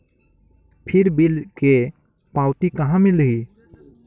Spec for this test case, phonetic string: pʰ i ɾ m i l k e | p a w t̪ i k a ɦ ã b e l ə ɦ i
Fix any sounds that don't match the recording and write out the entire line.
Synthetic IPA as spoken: pʰ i ɾ b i l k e | p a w t̪ i k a ɦ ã m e l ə ɦ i